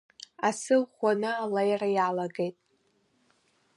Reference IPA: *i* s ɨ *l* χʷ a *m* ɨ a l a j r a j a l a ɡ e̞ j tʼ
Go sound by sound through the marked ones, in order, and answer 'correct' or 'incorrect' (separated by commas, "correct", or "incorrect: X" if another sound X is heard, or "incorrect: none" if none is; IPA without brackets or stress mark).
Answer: incorrect: a, correct, incorrect: n